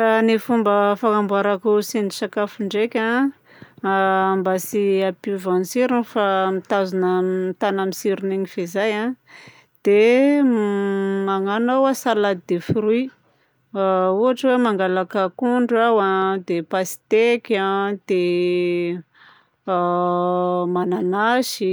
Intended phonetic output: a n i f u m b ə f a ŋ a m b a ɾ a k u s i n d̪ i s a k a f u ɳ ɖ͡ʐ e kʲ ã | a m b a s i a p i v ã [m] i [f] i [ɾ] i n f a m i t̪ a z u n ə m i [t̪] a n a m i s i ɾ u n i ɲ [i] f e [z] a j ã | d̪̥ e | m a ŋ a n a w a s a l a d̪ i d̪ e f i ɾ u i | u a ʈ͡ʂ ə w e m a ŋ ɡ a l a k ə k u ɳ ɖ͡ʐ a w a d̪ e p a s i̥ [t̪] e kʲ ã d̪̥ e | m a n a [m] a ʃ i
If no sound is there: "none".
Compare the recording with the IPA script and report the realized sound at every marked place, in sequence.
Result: n, s, ɾ, t̪, i, z, t̪, n

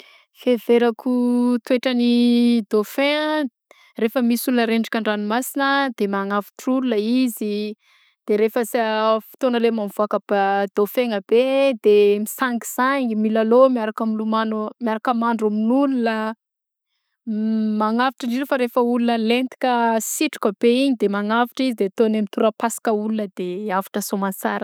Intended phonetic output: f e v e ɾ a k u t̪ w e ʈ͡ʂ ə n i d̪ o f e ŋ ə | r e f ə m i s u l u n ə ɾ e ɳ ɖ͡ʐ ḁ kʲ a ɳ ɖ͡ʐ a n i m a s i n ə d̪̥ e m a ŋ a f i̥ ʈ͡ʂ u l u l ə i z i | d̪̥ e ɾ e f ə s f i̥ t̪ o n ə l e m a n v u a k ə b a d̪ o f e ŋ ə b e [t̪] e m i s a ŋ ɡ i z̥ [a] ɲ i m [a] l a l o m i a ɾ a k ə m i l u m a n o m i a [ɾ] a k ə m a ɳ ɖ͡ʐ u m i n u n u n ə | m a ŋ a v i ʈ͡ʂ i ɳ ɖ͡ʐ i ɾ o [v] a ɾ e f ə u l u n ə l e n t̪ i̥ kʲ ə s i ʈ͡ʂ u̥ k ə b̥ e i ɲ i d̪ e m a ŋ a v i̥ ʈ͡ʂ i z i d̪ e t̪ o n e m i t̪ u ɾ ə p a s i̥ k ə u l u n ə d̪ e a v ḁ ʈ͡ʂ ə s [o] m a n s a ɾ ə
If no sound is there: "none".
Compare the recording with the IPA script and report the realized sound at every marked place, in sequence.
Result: d̪, a, i, ɾ, f, o

